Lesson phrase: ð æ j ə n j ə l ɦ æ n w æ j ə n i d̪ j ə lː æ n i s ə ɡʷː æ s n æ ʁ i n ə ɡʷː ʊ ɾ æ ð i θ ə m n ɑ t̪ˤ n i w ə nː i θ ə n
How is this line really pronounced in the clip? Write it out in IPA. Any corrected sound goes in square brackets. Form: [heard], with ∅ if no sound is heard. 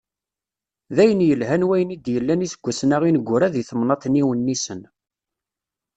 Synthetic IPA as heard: ð æ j ə n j ə l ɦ æ n w æ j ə n i d̪ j ə lː æ n i s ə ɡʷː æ s n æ ʁ i n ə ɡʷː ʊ ɾ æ ð i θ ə m n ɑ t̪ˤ n i w ə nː i [s] ə n